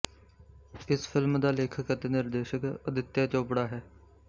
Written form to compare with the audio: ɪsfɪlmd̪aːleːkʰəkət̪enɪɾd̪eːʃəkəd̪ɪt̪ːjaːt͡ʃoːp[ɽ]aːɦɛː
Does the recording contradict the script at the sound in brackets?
no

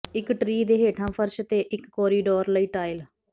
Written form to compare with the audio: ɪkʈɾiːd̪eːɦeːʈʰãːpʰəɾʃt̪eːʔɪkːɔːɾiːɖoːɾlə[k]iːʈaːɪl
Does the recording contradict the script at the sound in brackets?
yes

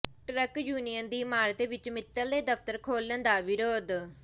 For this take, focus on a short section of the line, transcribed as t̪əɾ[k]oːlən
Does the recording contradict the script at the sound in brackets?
yes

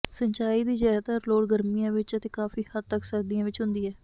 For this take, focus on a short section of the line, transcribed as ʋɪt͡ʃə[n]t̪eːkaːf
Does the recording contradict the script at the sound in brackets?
yes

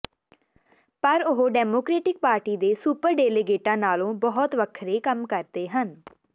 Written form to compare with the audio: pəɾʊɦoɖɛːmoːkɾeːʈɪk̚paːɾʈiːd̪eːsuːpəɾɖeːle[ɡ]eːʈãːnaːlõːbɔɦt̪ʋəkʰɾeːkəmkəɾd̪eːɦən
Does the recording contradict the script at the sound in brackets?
no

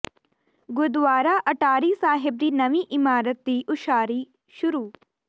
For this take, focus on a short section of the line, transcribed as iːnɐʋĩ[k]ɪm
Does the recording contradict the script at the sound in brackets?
yes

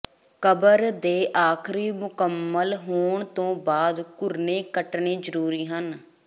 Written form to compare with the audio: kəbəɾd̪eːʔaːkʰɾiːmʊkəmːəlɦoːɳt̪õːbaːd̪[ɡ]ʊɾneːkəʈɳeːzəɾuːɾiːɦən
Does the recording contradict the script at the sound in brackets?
yes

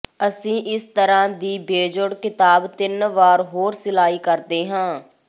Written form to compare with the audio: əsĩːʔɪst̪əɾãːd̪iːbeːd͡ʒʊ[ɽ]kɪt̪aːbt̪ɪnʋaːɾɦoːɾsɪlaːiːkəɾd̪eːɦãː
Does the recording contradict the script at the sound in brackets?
no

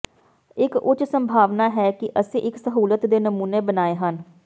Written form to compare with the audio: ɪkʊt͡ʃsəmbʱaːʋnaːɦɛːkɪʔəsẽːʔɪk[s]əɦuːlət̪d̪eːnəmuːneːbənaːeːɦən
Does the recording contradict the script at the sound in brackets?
no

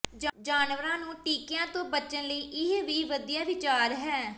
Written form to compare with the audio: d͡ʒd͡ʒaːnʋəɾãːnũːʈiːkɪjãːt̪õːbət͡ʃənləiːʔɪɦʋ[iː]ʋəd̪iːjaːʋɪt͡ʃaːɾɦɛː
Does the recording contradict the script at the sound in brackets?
no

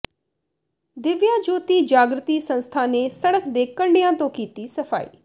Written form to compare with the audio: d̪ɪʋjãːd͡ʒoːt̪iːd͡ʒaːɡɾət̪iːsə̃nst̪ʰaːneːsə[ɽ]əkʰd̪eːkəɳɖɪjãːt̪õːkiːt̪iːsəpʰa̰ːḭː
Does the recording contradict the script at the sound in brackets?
no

